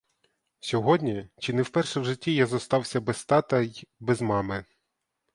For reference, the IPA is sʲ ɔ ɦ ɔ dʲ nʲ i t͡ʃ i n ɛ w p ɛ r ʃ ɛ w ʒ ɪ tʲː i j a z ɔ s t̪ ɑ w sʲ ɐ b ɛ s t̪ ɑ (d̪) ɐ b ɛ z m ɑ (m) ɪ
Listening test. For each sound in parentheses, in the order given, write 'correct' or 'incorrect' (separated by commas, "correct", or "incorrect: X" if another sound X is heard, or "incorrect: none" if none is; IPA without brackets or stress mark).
incorrect: t̪, correct